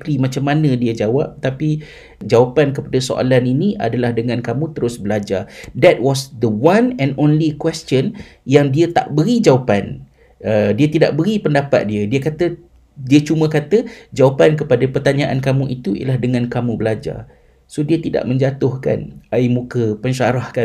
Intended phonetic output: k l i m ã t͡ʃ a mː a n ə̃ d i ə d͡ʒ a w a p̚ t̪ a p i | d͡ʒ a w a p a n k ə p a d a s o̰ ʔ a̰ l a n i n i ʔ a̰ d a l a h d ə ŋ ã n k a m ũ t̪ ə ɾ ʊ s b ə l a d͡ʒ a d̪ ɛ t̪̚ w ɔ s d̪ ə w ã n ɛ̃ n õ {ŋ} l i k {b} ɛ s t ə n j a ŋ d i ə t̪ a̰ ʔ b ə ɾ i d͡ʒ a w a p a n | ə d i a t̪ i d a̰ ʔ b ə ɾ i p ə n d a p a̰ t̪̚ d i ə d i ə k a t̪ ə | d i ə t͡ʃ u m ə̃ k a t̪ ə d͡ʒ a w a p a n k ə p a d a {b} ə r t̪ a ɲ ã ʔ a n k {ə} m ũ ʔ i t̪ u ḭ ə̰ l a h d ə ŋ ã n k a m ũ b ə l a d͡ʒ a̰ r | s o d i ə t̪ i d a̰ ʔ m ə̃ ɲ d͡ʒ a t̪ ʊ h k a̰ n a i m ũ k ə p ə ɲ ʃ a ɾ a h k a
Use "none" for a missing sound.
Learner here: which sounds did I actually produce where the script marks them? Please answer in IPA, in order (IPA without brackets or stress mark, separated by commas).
n, w, p, a